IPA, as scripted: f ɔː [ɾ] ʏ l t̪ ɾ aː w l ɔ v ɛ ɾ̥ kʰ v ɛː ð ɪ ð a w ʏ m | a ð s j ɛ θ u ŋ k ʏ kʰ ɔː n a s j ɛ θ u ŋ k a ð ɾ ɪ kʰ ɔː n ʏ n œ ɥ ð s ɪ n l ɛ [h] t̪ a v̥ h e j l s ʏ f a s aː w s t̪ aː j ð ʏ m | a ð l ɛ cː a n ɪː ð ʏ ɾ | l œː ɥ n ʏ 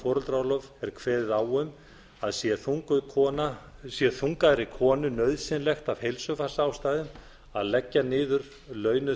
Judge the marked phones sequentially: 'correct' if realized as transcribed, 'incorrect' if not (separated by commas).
correct, incorrect